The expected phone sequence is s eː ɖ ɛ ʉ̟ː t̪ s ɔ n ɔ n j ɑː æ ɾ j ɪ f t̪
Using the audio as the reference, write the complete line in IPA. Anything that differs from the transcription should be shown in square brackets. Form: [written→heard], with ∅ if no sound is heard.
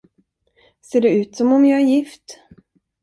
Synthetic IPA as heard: s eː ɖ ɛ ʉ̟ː t̪ s ɔ [n→m] ɔ [n→m] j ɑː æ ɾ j ɪ f t̪